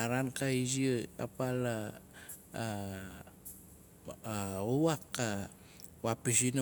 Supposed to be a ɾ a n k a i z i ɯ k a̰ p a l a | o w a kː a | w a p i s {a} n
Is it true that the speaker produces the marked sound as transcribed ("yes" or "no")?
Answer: no